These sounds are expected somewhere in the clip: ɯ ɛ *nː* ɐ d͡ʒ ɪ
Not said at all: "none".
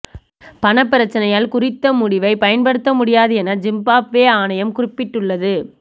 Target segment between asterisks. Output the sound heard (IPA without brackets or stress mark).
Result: n